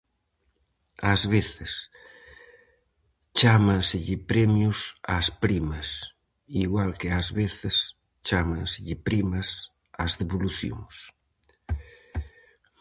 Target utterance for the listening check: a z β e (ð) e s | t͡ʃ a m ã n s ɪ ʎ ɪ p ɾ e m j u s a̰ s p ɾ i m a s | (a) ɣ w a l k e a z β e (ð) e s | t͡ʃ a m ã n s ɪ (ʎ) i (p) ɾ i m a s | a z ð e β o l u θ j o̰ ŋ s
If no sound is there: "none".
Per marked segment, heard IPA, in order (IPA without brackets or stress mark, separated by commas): θ, i, θ, ʎ, p